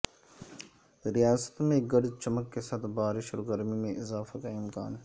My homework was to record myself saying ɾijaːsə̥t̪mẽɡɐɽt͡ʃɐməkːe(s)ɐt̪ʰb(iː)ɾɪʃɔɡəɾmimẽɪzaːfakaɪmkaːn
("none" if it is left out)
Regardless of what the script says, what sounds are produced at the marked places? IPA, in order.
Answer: s, aː

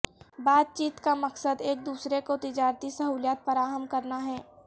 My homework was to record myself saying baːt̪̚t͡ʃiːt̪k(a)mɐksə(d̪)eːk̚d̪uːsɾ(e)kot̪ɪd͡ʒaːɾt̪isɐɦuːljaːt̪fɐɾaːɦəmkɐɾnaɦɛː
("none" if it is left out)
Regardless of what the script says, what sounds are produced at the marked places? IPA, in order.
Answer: a, d̪, e

